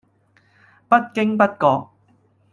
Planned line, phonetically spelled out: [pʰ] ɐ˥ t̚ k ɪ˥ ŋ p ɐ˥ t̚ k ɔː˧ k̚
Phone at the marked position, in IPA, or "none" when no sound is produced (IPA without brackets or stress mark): p